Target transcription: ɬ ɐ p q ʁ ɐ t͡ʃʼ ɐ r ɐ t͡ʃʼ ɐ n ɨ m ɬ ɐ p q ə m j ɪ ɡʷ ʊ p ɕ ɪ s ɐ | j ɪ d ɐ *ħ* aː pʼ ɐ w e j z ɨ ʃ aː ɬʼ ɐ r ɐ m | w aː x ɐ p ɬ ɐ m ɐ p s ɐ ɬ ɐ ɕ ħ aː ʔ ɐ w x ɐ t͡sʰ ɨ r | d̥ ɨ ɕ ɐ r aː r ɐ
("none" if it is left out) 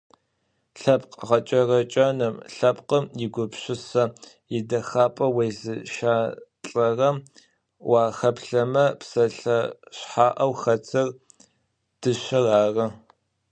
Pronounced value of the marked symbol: x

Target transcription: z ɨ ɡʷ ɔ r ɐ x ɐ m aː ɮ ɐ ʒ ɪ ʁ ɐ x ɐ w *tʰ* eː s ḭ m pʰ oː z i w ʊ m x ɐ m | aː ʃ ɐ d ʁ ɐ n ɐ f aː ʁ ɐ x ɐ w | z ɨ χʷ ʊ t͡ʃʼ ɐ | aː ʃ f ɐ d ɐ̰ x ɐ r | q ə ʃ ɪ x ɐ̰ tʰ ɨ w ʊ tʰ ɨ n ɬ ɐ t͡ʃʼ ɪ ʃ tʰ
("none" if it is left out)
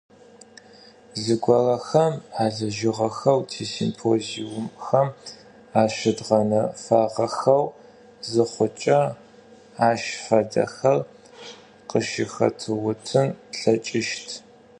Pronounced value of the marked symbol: tʰ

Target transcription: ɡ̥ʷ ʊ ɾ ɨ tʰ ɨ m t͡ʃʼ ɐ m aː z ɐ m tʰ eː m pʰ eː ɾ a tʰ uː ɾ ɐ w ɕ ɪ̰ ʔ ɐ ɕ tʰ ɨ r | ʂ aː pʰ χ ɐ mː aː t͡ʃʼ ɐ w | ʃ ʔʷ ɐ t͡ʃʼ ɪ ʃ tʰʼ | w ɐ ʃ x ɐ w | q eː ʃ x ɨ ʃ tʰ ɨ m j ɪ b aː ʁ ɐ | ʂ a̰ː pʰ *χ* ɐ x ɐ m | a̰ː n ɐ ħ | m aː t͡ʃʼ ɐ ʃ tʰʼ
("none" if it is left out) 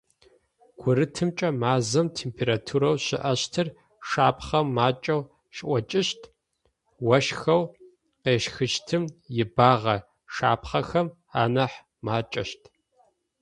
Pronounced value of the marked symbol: χ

